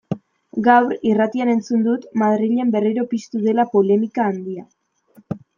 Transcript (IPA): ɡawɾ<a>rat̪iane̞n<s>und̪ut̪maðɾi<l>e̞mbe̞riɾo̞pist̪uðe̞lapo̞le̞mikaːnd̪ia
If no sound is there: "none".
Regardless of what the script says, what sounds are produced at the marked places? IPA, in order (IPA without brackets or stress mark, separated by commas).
i, t͡s, ʎ